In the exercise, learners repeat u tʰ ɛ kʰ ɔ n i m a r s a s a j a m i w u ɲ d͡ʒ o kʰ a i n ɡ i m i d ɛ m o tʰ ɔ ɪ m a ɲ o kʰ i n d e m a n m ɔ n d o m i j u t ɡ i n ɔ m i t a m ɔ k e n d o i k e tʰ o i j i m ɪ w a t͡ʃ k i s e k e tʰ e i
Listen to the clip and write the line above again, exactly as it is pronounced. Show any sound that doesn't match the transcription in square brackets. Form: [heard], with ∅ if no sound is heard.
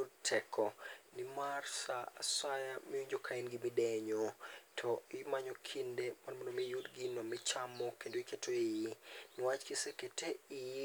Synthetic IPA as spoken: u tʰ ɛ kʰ ɔ n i m a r s a s a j a m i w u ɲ d͡ʒ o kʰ a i n ɡ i m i d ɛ [ɲ] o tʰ ɔ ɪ m a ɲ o kʰ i n d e m a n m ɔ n d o m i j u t ɡ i n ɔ m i [t͡ʃ] a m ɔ k e n d o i k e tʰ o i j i [n] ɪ w a t͡ʃ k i s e k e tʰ e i